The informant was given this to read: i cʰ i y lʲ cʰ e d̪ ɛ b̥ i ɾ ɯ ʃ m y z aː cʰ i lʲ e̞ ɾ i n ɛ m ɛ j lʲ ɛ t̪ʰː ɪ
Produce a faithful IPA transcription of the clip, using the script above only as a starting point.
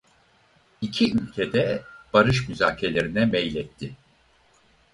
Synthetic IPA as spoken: i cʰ i y lʲ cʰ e d̪ ɛ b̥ a ɾ ɯ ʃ m y z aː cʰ e lʲ e̞ ɾ i n ɛ m ɛ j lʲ ɛ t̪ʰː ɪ